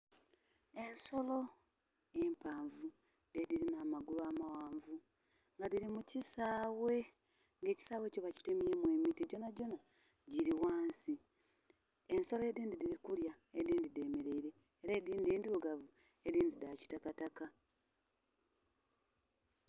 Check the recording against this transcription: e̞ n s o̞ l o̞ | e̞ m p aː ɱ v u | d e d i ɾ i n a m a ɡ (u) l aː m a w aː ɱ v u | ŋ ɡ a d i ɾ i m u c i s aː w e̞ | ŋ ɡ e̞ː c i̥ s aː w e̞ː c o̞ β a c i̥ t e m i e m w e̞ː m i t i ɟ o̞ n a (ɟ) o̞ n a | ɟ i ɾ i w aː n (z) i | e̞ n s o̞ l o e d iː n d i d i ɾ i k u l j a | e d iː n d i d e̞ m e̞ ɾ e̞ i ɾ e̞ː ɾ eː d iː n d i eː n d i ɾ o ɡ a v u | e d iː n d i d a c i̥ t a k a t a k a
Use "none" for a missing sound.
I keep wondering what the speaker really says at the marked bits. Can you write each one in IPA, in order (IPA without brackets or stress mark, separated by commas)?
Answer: u, ɟ, s